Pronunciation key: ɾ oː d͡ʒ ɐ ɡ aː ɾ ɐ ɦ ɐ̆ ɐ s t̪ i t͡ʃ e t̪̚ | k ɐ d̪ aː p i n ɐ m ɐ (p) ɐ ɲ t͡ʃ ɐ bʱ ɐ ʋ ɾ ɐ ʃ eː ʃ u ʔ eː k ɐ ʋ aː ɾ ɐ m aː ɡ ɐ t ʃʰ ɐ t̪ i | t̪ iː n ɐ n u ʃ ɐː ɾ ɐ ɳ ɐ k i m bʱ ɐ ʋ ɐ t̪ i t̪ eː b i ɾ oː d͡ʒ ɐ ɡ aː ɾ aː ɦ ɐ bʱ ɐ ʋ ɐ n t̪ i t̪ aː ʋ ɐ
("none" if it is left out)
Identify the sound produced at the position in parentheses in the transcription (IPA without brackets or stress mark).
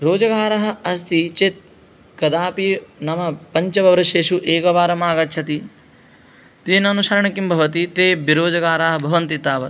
p